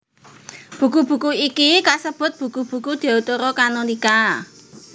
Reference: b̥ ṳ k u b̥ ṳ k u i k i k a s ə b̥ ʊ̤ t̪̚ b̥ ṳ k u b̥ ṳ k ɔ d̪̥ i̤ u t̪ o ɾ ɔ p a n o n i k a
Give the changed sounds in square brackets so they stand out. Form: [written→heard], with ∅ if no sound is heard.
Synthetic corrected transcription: b̥ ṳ k u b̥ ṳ k u i k i k a s ə b̥ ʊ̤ t̪̚ b̥ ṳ k u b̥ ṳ k [ɔ→u] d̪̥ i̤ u t̪ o ɾ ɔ [p→k] a n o n i k a